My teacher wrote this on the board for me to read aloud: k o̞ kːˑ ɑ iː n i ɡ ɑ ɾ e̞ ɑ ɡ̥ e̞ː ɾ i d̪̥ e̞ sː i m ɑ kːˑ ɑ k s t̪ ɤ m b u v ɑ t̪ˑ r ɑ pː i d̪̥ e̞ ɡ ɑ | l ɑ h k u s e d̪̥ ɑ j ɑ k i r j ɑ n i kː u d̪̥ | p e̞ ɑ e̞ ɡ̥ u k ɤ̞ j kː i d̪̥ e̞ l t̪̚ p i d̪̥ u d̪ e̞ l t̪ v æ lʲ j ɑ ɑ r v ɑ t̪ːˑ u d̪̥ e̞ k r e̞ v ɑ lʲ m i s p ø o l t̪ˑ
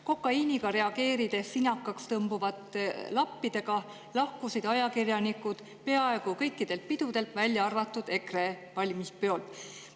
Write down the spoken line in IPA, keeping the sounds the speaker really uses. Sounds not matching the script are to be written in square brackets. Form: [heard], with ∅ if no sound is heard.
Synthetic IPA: k o̞ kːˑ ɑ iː n i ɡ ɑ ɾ e̞ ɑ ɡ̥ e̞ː ɾ i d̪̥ e̞ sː i [n] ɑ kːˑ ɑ k s t̪ ɤ m b u v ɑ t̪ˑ [l] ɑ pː i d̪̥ e̞ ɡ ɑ | l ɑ h k u s [i] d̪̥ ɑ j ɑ k i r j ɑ n i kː u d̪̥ | p e̞ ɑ e̞ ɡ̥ u k ɤ̞ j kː i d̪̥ e̞ l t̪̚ p i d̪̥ u d̪ e̞ l t̪ v æ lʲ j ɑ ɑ r v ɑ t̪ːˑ u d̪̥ e̞ k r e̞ v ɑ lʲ m i s p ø o l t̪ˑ